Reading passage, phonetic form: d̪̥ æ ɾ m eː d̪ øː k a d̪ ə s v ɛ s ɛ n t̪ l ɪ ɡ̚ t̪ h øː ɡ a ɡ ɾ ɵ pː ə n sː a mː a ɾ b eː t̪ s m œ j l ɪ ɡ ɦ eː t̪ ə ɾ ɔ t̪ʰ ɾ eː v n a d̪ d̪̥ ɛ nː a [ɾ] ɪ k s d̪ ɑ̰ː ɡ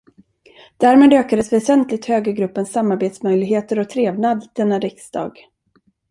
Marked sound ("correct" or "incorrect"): correct